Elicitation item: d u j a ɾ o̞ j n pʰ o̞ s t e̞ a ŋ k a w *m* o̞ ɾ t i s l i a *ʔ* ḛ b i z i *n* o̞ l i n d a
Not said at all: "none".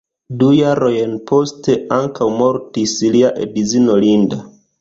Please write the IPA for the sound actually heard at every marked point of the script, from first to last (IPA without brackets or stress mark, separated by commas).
m, ʔ, n